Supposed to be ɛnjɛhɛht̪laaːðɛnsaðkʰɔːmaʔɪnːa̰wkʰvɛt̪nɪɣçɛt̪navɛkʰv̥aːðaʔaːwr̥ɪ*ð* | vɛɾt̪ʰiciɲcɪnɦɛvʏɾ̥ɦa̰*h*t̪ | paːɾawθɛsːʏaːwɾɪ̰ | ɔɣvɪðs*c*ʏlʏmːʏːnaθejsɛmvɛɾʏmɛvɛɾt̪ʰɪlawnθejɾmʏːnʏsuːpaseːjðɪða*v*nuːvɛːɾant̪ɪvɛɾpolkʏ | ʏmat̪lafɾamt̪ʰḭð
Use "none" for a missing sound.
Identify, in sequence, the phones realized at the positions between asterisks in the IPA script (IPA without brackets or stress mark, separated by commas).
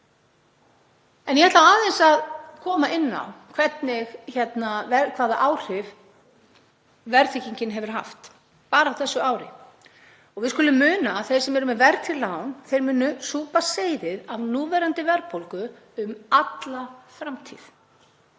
v, f, k, v